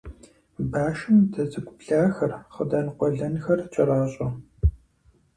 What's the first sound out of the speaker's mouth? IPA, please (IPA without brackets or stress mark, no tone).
b